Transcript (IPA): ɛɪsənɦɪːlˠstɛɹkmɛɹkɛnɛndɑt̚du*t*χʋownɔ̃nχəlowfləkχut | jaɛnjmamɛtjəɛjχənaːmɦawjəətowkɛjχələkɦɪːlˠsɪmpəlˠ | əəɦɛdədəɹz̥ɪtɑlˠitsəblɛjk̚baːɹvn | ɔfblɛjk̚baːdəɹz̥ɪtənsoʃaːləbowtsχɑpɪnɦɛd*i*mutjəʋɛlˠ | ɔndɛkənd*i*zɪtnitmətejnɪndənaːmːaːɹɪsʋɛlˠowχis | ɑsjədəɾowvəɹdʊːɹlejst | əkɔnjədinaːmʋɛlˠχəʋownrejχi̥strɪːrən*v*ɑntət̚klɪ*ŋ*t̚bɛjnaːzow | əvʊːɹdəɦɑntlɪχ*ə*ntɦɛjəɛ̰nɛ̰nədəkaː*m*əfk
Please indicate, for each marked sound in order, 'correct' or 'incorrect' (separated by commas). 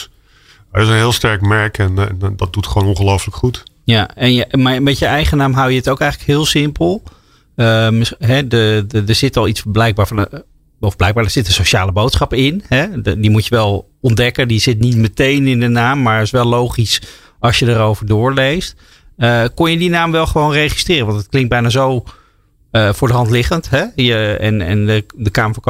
correct, correct, correct, incorrect, correct, correct, correct